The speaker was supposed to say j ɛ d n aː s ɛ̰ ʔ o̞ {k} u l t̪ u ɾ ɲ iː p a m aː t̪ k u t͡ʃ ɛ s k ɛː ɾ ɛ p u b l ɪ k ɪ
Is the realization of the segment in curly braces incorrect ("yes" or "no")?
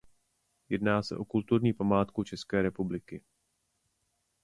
no